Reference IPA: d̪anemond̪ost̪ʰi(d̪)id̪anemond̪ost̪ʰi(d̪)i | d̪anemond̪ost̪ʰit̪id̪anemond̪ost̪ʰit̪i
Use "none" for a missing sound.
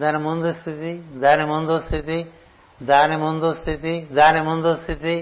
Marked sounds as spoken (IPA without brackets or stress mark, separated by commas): t̪, t̪